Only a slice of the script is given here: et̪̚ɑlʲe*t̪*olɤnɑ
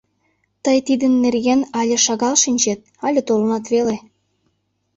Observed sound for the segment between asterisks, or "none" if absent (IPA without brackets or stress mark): t̪